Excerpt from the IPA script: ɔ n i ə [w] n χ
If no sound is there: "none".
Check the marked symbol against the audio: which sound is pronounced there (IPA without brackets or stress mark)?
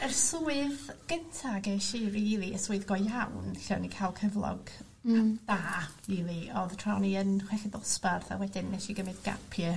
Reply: none